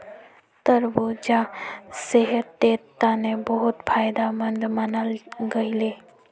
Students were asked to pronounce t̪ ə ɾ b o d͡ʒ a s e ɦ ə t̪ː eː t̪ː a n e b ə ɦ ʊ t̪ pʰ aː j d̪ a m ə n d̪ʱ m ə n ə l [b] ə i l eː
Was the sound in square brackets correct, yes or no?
no